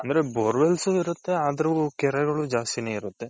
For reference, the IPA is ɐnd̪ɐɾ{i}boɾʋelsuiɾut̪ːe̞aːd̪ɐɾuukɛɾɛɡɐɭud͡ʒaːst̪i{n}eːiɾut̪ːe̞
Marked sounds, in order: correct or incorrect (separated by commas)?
incorrect, correct